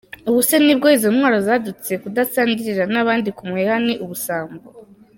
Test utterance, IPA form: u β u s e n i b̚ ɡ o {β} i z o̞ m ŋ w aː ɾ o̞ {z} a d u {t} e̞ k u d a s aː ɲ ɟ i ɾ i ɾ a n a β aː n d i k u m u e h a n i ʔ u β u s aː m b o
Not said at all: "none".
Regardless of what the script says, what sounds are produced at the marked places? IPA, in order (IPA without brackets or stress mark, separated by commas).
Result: none, z, t͡s